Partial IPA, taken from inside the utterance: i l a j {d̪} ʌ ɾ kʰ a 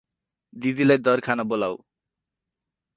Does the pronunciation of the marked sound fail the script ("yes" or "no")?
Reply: no